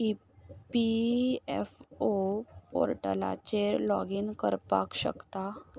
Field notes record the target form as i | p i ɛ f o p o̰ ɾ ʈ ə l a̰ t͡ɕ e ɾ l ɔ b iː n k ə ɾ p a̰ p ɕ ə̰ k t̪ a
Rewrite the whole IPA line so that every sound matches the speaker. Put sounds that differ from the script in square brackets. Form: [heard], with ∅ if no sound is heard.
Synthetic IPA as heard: i | p i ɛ f o p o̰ ɾ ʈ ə l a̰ t͡ɕ e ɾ l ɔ [ɡ] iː n k ə ɾ p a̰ [k] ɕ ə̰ k t̪ a

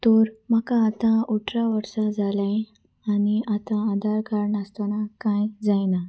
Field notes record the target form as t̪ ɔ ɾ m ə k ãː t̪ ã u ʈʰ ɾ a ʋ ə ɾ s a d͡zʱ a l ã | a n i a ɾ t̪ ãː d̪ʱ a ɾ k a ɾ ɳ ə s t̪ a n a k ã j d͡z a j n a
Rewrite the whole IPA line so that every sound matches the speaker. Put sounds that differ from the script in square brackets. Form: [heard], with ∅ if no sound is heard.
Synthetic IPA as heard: t̪ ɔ ɾ m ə k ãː t̪ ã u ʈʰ ɾ a ʋ ə ɾ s a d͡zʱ a l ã | a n i a [∅] t̪ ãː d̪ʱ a ɾ k a ɾ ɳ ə s t̪ a n a k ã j d͡z a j n a

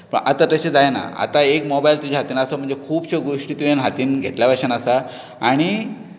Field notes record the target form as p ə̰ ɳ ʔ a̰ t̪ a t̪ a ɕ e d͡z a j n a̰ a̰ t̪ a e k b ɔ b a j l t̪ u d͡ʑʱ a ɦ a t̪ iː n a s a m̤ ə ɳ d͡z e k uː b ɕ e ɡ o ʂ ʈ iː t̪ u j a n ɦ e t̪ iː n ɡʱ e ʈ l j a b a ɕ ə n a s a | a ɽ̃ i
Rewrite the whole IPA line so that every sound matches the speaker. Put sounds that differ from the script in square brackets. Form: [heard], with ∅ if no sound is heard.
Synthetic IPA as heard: p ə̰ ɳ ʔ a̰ t̪ a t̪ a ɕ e d͡z a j n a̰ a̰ t̪ a e k [m] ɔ b a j l t̪ u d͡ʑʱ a ɦ a t̪ iː n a s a m̤ ə ɳ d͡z e [kʰ] uː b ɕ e ɡ o ʂ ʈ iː t̪ u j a n ɦ [a] t̪ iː n ɡʱ e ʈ l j a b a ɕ ə n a s a | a ɽ̃ i

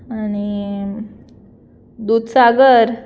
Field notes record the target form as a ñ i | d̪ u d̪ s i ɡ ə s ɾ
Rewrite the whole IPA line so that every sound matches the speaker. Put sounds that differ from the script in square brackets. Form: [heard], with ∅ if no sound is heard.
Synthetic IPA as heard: a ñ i | d̪ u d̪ s [a] ɡ ə [∅] ɾ

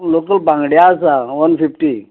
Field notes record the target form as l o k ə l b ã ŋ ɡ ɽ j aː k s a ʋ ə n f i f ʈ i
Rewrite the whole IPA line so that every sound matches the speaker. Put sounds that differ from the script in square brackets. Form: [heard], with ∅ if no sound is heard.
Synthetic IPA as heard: l o k ə l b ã ŋ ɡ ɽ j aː [∅] s a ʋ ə n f i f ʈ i

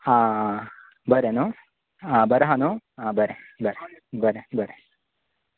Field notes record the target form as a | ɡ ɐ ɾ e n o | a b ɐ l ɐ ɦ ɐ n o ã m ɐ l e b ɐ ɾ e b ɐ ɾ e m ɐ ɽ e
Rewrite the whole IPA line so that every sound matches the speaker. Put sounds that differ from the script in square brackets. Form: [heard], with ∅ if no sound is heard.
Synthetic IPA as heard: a | [b] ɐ ɾ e n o | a b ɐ [ɾ] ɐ ɦ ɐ n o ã [b] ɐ [ɾ] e b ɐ ɾ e b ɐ ɾ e [b] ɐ [ɾ] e

